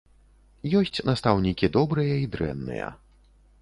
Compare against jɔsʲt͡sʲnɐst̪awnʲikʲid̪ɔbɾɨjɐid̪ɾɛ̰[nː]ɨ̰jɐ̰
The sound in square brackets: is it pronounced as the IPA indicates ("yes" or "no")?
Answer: yes